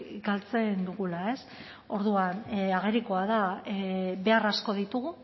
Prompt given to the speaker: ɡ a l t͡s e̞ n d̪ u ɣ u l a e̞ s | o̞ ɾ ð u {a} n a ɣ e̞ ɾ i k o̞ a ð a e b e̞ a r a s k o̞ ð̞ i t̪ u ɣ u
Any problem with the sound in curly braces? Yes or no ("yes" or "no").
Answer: no